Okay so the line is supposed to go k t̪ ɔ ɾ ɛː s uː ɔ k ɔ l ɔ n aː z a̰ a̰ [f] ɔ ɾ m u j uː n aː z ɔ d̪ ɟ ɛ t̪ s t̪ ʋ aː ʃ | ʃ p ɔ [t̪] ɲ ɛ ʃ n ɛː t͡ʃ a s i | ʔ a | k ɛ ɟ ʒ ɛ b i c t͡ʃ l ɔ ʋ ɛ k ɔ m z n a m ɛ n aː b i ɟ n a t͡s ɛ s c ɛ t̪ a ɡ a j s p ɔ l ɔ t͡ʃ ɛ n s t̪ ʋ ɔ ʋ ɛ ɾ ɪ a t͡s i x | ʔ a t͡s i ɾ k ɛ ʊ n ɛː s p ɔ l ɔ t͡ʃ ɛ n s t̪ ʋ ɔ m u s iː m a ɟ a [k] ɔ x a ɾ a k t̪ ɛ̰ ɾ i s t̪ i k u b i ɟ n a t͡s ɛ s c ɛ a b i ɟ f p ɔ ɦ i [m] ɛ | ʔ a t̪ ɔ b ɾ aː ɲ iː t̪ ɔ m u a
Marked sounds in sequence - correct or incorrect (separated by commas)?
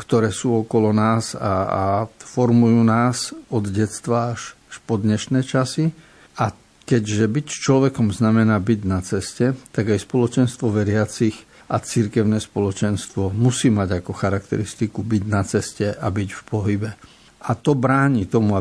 correct, incorrect, correct, incorrect